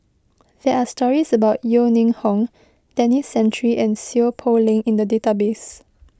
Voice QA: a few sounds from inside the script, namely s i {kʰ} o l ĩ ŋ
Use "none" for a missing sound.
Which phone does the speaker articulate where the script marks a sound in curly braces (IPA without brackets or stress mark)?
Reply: pʰ